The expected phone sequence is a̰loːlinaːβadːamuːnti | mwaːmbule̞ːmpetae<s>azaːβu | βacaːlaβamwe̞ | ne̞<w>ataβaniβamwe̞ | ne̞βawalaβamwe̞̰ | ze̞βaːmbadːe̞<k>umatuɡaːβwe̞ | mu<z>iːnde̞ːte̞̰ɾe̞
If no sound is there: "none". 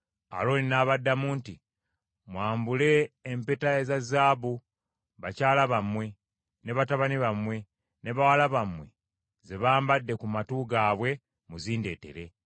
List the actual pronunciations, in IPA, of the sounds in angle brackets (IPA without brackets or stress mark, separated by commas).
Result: z, β, k, z